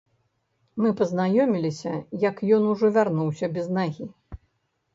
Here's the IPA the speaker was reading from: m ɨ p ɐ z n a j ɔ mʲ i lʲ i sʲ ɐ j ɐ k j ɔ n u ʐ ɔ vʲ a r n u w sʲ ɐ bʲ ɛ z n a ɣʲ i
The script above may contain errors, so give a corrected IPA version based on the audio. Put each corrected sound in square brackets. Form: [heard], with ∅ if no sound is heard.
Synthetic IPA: m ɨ p ɐ z n a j ɔ mʲ i lʲ i sʲ ɐ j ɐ k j ɔ n u ʐ ɔ vʲ a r n u w sʲ ɐ bʲ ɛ z n a ɣʲ i